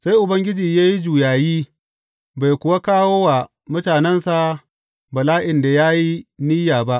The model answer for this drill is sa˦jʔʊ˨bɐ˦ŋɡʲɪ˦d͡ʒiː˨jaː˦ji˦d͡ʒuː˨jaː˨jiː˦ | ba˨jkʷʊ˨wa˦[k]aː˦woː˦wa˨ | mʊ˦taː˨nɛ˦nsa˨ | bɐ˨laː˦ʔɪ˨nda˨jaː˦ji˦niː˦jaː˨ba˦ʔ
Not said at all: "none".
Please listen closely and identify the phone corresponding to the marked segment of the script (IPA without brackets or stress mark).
k